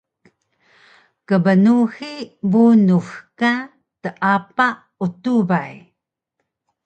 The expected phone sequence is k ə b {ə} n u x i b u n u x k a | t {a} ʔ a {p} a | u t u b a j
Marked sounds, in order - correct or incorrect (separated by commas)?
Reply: correct, incorrect, correct